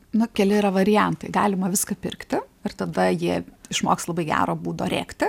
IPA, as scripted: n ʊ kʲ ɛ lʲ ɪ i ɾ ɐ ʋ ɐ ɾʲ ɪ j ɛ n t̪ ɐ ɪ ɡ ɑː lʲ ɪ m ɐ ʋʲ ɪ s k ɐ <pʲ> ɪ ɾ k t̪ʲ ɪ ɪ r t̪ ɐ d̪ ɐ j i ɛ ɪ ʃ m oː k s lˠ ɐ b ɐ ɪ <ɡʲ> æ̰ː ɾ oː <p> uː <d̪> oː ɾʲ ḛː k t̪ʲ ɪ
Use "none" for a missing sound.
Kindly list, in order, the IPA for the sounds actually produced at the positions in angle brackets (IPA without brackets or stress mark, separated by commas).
pʲ, ɡʲ, b, d̪